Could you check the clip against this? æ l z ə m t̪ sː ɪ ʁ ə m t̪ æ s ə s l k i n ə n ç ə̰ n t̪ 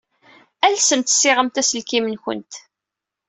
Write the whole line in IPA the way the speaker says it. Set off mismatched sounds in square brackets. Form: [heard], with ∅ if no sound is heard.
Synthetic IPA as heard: æ l [s] ə m t̪ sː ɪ ʁ ə m t̪ æ s ə [∅] l k i [m] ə n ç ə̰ n t̪